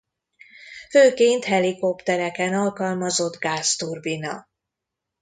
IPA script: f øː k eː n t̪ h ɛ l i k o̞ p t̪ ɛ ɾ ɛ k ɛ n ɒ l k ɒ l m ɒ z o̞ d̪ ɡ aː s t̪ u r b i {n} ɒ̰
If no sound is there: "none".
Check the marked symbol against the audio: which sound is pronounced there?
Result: n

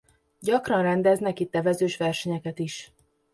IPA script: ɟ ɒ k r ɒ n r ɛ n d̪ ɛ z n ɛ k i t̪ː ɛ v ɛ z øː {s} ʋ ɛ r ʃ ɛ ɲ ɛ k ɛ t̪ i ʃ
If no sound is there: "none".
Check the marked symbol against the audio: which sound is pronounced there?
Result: ʃ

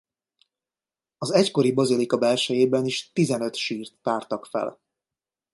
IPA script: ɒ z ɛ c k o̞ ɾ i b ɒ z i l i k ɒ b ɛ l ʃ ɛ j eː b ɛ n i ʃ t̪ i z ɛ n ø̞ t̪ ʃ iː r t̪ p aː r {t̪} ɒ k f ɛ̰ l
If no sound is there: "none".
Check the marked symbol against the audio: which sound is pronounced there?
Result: t̪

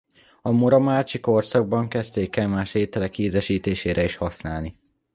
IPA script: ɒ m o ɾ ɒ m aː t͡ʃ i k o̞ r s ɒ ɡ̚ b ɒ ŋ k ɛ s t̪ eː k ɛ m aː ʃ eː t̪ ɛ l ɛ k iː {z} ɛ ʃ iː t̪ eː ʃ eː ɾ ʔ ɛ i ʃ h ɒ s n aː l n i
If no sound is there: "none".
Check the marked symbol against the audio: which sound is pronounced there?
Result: z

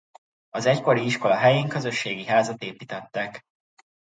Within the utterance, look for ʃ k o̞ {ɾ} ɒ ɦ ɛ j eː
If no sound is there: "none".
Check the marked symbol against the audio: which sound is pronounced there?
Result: l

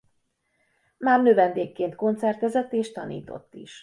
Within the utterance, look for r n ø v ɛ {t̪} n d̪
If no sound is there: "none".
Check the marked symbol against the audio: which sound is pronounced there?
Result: none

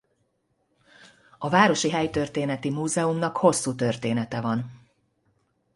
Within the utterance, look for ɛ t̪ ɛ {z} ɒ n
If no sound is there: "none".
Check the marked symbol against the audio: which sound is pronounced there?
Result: v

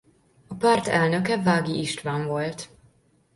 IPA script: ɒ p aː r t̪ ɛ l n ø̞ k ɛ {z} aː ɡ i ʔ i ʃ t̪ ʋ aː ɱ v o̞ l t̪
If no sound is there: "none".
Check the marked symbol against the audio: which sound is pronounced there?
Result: v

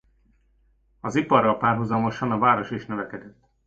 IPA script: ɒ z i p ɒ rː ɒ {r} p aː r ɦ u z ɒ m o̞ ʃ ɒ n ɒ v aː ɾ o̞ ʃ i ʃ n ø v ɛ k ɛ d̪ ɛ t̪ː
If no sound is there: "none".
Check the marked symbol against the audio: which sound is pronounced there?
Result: l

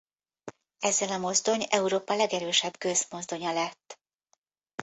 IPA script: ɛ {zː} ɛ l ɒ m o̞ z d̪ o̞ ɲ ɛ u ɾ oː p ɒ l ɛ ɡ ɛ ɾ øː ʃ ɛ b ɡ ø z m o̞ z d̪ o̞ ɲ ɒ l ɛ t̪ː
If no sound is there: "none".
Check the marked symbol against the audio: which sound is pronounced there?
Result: zː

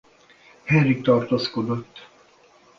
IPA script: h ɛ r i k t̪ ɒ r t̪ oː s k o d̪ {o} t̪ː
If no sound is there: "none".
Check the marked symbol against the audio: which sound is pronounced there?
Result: o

